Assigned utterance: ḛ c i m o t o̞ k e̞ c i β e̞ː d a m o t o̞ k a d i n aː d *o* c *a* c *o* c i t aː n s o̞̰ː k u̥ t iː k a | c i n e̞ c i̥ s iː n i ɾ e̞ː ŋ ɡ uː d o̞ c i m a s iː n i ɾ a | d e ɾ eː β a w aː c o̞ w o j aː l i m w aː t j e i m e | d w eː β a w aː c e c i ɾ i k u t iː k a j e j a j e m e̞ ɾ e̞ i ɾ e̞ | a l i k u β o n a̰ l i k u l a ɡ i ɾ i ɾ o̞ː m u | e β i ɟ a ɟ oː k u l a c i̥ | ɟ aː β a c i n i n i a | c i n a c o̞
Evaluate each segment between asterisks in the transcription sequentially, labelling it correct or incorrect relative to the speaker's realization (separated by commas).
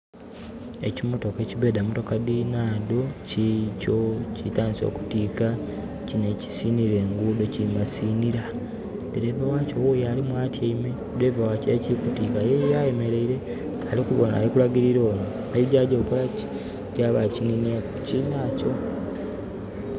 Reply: correct, incorrect, correct